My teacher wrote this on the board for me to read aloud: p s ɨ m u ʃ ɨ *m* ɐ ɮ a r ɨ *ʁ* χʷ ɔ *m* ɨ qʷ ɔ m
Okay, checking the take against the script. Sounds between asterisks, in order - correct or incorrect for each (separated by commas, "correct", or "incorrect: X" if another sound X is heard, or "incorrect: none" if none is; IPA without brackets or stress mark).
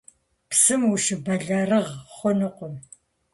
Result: incorrect: b, correct, incorrect: n